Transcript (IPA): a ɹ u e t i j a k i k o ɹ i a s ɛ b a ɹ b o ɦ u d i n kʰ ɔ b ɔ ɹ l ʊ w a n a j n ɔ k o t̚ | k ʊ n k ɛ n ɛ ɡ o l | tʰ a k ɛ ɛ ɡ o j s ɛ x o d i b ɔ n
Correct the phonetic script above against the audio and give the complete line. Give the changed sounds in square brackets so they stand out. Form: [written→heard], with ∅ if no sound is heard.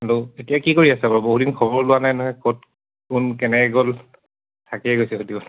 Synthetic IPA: a ɹ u e t i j a k i k o ɹ i a s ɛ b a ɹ b o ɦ u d i n kʰ ɔ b ɔ ɹ l ʊ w a n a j n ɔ k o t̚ | k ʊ n k ɛ n ɛ ɡ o l | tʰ a k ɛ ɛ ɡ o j s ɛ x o d i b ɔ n